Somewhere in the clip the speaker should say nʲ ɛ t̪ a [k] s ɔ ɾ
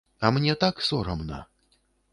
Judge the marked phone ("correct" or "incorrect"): correct